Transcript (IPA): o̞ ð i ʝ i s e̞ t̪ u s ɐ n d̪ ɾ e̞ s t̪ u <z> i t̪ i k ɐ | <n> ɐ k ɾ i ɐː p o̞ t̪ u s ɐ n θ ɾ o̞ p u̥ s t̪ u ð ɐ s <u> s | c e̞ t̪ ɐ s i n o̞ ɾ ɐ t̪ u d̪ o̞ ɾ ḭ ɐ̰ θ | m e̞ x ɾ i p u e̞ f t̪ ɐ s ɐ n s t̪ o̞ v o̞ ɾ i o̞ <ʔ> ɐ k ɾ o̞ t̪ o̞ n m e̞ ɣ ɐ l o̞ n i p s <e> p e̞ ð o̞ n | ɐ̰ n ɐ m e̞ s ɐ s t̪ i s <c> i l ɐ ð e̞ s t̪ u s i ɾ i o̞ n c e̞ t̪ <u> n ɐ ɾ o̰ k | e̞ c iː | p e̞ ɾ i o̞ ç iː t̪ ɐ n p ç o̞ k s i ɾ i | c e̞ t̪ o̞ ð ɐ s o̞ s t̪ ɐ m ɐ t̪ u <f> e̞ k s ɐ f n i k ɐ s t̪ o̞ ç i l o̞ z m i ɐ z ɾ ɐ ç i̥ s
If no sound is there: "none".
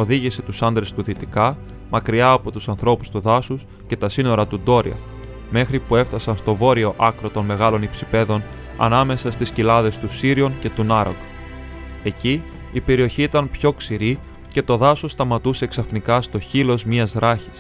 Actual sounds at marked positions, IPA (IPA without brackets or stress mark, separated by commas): ð, m, u, ʔ, i, c, u, s